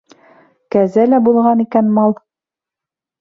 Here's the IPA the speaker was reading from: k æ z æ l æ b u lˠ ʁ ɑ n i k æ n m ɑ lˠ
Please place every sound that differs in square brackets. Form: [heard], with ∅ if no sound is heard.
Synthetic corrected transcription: k æ z æ l æ b u lˠ ʁ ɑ n i k æ n m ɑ lˠ